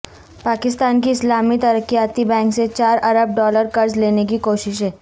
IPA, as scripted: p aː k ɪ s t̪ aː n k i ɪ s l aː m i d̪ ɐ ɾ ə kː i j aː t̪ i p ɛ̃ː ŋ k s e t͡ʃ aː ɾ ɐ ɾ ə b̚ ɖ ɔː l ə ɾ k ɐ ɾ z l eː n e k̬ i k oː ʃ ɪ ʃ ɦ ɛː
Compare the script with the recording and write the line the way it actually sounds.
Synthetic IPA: p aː k ɪ s t̪ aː n k i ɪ s l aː m i t̪ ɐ ɾ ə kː i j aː t̪ i b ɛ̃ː ŋ k s e t͡ʃ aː ɾ ɐ ɾ ə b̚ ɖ ɔː l ə ɾ k ɐ ɾ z l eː n e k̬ i k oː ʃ ɪ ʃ ɦ ɛː